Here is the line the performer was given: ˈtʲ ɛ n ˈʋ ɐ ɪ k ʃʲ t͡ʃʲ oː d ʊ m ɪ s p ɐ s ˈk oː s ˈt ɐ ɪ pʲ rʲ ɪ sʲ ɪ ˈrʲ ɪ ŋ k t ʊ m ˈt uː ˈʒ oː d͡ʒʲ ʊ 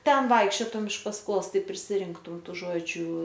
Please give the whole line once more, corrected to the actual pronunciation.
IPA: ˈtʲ ɛ n ˈʋ ɐ ɪ k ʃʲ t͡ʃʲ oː t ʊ m ɪ ʃ p ɐ s ˈk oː s ˈt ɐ ɪ pʲ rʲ ɪ sʲ ɪ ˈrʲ ɪ ŋ k t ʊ m ˈt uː ˈʒ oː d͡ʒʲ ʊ